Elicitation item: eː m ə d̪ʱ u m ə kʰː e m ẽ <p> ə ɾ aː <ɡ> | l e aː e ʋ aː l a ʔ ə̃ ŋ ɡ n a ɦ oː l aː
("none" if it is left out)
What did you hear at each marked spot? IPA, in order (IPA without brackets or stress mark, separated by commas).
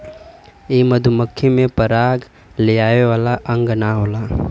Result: p, ɡ